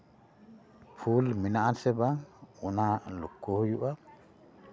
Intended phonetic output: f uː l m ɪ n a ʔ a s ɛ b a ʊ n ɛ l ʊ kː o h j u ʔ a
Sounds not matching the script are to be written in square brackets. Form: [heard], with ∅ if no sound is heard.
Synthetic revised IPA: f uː l m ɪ n a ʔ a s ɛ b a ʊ n [a] l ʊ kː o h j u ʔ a